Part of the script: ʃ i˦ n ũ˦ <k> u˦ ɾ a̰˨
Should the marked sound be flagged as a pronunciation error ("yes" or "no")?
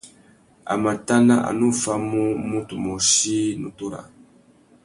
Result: yes